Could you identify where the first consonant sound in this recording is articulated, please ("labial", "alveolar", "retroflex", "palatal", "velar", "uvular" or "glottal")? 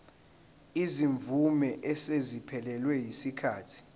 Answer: alveolar